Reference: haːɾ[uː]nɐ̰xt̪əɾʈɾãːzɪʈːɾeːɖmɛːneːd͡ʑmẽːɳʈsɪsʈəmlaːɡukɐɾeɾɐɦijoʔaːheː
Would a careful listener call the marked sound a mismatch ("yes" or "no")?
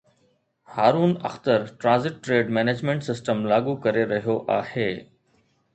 no